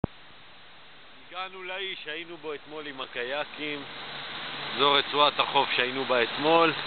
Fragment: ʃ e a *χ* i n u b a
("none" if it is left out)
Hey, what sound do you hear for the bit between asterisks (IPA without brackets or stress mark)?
none